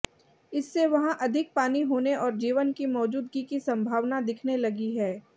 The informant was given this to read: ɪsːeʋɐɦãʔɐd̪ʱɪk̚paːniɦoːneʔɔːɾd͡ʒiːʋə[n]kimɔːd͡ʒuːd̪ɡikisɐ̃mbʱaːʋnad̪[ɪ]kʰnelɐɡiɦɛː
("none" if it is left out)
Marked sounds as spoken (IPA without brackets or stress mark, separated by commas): n, ɪ